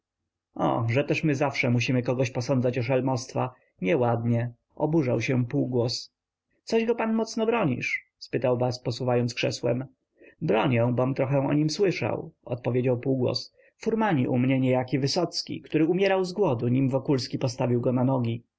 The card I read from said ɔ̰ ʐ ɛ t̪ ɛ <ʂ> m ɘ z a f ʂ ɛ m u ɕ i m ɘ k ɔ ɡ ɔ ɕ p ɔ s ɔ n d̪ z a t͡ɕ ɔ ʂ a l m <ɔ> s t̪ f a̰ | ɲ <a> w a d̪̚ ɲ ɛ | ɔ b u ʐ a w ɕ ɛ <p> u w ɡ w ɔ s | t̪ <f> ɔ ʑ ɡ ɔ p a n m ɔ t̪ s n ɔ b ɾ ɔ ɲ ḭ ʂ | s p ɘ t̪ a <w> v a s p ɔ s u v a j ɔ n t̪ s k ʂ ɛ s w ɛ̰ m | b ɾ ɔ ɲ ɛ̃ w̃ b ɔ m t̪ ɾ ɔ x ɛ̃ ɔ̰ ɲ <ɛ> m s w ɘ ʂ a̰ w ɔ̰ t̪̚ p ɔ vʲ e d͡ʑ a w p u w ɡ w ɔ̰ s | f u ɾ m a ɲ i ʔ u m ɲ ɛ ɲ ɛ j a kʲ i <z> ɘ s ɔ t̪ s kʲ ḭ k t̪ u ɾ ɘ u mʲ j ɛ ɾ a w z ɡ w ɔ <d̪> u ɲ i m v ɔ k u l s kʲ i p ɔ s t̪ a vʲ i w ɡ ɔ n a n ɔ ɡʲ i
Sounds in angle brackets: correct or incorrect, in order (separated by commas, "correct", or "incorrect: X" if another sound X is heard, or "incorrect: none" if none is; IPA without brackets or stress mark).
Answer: correct, correct, incorrect: ɛ, correct, incorrect: s, correct, incorrect: i, incorrect: v, correct